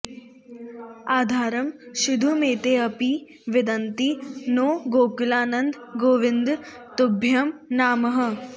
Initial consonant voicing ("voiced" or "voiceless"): voiced